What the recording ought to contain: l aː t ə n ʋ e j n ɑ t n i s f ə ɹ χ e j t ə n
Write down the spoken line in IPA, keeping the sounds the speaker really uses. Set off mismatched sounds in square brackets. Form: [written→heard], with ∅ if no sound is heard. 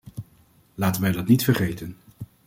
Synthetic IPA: l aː t ə n ʋ [e→ɛ] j [n→d] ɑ t n i [s→t] f ə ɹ χ e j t ə n